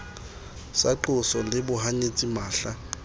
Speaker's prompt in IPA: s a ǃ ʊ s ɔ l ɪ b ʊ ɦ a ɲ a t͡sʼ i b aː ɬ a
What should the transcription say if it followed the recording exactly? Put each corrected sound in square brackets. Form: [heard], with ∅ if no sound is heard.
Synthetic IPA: s a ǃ ʊ s ɔ l ɪ b ʊ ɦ a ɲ [e] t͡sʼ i [m] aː ɬ a